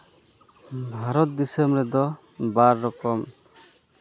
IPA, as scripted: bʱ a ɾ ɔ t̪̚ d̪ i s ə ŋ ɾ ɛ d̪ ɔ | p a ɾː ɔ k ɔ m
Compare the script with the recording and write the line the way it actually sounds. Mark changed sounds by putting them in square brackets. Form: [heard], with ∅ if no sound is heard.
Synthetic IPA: bʱ a ɾ ɔ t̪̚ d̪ i s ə [m] ɾ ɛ d̪ ɔ | [b] a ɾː ɔ k ɔ m